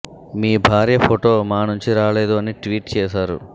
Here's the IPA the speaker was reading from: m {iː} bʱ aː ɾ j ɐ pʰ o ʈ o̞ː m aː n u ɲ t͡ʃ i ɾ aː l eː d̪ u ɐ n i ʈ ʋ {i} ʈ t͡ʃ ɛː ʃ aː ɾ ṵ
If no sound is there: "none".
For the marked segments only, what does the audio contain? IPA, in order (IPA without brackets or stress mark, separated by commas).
iː, iː